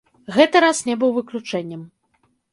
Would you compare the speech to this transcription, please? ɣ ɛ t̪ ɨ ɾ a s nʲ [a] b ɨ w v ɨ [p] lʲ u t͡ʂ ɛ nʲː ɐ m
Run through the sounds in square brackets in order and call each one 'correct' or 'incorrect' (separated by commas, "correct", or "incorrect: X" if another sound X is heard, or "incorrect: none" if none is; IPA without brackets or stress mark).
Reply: incorrect: ɛ, incorrect: k